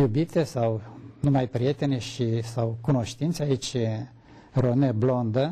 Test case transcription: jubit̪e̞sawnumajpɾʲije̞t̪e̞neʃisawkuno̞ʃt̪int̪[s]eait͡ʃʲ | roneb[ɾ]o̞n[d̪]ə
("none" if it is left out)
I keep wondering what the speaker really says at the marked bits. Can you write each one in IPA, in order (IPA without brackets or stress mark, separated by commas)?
s, l, d̪